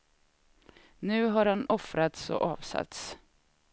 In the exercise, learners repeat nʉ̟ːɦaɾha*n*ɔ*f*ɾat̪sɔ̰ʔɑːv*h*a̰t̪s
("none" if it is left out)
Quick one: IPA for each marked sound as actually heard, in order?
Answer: n, f, s

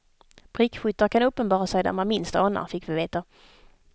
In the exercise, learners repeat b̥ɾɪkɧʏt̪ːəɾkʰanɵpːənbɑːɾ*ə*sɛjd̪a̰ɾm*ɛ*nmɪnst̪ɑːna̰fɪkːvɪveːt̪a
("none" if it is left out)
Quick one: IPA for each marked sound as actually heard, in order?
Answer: a, a

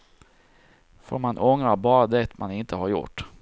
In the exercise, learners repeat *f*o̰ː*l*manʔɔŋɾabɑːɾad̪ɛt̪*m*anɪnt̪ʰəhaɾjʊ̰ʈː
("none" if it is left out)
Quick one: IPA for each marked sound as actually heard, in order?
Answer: f, ɾ, m

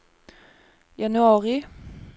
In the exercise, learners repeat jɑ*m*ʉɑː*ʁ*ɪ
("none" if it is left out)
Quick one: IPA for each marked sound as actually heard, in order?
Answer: n, ʁ

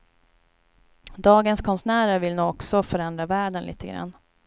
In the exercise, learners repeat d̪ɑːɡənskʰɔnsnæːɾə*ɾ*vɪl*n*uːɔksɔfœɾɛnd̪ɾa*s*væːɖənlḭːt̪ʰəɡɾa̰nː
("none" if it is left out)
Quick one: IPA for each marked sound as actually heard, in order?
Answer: ɾ, n, none

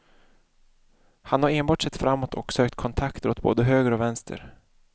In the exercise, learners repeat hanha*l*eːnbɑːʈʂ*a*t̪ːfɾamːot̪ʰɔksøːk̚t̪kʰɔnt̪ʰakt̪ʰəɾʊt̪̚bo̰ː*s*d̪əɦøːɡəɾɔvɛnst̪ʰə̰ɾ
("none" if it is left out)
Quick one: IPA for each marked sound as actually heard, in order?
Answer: ɾ, ɛ, none

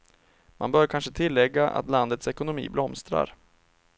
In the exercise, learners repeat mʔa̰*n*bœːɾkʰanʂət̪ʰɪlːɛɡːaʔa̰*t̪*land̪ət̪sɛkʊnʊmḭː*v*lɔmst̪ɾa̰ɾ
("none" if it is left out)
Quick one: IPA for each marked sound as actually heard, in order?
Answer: n, t̪, b

